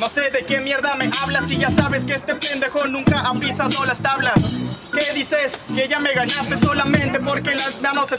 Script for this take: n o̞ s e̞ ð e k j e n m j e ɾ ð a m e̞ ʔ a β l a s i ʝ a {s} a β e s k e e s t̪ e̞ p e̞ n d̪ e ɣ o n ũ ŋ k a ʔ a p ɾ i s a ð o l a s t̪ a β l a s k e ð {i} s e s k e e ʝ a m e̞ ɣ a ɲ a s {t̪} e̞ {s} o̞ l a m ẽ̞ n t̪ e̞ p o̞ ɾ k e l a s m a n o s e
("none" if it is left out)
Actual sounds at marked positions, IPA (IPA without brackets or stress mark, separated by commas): s, i, t̪, s